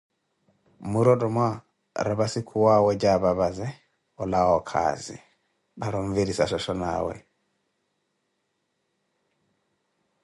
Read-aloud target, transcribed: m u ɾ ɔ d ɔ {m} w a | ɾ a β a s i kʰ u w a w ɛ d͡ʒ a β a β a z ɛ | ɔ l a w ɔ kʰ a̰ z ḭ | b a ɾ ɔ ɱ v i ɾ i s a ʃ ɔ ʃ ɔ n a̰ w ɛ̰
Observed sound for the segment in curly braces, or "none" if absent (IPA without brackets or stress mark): m